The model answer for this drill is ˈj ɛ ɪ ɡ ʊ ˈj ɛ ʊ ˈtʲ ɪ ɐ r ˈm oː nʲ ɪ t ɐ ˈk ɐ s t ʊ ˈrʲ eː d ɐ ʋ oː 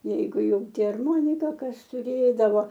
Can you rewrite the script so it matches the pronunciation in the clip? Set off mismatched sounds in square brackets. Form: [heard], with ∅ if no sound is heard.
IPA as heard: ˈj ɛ ɪ ɡ ʊ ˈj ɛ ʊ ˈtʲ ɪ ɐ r ˈm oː nʲ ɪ [k] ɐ ˈk ɐ s t ʊ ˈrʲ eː d ɐ ʋ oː